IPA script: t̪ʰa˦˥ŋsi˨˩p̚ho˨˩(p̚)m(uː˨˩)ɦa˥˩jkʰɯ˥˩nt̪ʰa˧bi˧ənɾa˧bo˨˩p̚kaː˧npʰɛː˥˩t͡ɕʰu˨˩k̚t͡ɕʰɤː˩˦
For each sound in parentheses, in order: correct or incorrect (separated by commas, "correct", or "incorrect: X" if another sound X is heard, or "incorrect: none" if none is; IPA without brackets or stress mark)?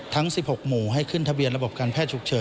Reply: incorrect: k̚, correct